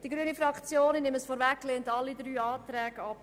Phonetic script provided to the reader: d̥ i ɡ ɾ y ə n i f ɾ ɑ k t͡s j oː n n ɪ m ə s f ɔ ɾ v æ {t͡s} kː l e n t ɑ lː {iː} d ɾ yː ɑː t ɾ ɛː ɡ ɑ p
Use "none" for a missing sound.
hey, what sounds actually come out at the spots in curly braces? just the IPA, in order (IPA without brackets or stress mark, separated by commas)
none, i